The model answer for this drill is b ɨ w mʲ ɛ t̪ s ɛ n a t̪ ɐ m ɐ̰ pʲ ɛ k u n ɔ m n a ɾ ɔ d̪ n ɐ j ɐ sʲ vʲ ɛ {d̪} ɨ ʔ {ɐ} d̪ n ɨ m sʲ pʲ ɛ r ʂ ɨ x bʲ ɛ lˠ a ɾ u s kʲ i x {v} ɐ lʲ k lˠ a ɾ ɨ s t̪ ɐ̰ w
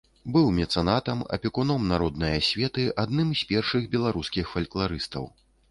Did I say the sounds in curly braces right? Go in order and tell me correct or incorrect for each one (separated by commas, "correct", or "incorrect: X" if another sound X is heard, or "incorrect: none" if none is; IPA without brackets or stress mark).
incorrect: t̪, incorrect: a, incorrect: f